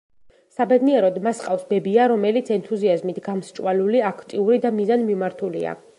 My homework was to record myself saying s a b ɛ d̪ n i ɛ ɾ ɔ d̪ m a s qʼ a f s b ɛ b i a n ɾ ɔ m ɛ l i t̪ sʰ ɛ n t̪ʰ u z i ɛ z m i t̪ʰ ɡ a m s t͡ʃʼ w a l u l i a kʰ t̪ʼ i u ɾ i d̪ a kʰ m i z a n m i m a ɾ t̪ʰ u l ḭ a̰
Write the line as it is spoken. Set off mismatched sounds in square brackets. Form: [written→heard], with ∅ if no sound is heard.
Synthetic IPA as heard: s a b ɛ d̪ n i ɛ ɾ ɔ d̪ m a s qʼ a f s b ɛ b i a [n→∅] ɾ ɔ m ɛ l i t̪ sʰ ɛ n t̪ʰ u z i [ɛ→a] z m i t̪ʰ ɡ a m s t͡ʃʼ w a l u l i a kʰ t̪ʼ i u ɾ i d̪ a [kʰ→∅] m i z a n m i m a ɾ t̪ʰ u l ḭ a̰